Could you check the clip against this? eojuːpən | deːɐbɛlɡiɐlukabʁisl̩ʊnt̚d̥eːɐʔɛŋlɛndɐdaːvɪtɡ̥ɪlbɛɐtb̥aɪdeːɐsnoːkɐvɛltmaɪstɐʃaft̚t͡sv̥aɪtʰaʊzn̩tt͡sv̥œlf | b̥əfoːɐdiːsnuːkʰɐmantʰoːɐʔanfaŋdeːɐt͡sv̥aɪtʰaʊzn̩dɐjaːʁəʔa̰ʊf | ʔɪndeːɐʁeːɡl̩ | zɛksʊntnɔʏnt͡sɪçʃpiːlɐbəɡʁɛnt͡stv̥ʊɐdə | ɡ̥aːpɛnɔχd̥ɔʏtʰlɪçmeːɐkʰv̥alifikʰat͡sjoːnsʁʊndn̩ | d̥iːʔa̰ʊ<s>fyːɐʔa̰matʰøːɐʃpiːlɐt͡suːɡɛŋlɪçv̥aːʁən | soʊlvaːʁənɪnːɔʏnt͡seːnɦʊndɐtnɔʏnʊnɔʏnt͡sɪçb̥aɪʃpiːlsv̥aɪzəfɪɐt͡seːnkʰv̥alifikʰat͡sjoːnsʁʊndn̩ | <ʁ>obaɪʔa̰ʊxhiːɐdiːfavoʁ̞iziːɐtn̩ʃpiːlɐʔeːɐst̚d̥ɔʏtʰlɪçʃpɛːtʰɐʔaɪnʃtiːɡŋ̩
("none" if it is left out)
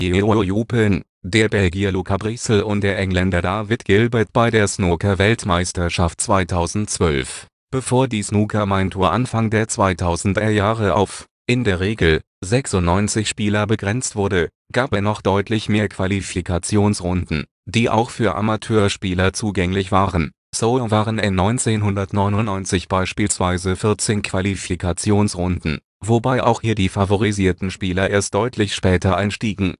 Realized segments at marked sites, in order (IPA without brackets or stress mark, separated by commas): x, v